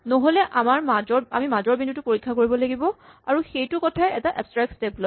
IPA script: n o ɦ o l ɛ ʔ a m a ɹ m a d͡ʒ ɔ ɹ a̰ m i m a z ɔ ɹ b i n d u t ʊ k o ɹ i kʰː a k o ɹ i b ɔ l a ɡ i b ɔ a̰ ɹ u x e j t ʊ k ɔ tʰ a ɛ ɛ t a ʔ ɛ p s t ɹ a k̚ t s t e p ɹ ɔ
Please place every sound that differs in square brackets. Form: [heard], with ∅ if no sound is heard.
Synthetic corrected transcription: n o ɦ o l ɛ ʔ a m a ɹ m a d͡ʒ ɔ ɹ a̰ m i m a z ɔ ɹ b i n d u t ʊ [p] o ɹ i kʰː a k o ɹ i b ɔ l a ɡ i b ɔ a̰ ɹ u x e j t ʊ k ɔ tʰ a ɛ ɛ t a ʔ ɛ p s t ɹ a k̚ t s t e p [l] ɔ